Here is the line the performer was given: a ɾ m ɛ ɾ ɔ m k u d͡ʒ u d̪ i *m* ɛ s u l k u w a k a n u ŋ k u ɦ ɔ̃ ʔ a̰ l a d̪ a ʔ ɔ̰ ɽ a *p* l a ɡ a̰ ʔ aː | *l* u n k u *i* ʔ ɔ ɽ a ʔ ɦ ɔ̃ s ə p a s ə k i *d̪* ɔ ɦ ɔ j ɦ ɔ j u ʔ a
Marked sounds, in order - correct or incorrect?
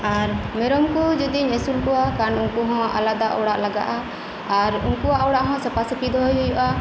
incorrect: ɲ, incorrect: ʔ, incorrect: ɾ, incorrect: a, correct

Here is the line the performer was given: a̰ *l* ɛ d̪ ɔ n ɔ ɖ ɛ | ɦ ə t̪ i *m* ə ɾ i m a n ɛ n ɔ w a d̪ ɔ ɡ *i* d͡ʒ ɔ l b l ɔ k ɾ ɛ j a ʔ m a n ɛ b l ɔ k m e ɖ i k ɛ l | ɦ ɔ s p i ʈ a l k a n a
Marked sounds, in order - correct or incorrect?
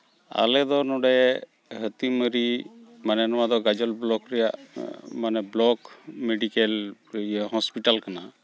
correct, correct, incorrect: a

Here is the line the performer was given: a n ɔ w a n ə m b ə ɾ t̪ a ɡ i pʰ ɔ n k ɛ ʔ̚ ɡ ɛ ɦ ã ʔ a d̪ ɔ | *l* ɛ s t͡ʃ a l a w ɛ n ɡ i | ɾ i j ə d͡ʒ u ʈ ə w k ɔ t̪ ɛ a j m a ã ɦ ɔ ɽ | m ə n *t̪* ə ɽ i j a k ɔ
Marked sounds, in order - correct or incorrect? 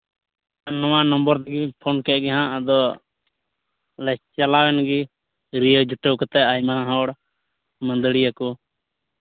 correct, incorrect: d̪

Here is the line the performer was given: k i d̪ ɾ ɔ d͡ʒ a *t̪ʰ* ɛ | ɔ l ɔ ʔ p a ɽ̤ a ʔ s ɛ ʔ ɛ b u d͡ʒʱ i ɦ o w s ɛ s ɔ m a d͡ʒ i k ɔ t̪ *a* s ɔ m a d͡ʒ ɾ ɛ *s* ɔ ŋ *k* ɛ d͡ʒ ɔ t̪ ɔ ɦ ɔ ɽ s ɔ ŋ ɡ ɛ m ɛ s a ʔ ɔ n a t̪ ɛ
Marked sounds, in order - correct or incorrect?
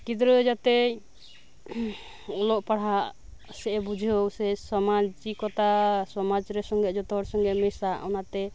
incorrect: t̪, correct, correct, incorrect: ɡ

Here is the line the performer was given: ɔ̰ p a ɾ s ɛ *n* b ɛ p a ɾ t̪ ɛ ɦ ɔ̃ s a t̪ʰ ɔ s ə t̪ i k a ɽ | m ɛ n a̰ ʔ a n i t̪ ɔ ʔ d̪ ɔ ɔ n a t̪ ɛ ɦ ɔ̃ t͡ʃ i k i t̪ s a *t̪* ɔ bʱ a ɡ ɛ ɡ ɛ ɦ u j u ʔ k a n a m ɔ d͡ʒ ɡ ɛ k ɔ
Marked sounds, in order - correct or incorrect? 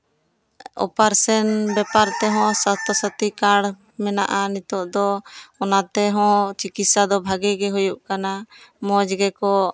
correct, incorrect: d̪

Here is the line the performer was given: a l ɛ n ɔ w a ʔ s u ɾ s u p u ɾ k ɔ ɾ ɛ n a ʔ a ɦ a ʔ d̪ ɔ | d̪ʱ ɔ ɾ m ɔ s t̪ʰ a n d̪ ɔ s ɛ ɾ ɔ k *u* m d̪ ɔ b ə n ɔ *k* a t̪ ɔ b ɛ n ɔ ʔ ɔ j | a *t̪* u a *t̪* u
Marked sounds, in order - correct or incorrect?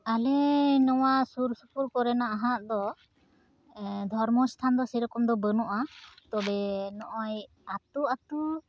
incorrect: ɔ, incorrect: ʔ, correct, correct

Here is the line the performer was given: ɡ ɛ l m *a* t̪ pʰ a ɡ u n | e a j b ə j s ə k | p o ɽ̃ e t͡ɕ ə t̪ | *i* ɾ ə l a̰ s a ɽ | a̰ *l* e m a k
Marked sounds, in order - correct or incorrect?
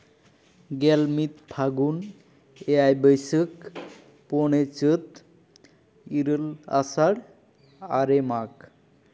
incorrect: i, correct, incorrect: ɾ

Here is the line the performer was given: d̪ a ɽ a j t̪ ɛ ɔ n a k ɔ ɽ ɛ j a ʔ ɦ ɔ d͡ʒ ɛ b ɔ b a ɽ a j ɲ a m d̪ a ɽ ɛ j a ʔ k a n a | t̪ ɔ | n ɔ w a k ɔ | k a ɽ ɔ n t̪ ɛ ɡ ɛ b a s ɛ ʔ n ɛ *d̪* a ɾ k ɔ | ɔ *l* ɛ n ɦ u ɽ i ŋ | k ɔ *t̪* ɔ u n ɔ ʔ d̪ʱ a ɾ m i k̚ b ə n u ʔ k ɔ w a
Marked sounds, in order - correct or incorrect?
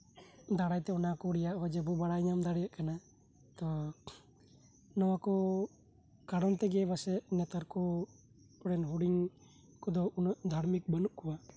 incorrect: t̪, incorrect: ɽ, incorrect: d̪

